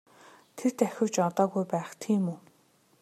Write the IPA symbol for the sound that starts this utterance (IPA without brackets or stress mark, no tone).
t̪ʰ